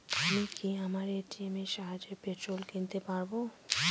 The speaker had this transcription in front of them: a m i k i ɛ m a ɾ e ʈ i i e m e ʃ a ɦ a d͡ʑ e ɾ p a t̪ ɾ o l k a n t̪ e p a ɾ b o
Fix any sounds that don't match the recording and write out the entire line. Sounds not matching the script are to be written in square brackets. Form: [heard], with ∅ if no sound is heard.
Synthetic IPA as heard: a m i k i [a] m a ɾ e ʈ i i e m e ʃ a ɦ a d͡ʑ e ɾ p [e] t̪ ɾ o l k [i] n t̪ e p a ɾ b o